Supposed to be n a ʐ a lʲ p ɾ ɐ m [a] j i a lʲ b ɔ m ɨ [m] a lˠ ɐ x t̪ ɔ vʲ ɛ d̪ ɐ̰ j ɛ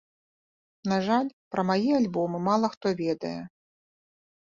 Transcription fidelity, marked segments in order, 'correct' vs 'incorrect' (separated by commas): correct, correct